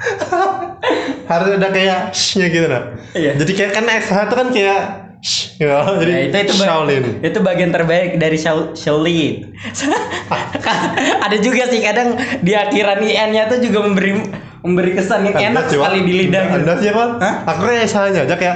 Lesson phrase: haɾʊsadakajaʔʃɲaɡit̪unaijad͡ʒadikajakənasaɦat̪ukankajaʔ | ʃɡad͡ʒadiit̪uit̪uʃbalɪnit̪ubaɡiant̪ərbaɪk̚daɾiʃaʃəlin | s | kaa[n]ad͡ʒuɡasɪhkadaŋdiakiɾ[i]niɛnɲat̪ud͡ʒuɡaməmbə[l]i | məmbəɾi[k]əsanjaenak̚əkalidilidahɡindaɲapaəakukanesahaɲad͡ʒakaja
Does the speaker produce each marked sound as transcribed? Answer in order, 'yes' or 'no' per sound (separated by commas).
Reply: no, no, no, yes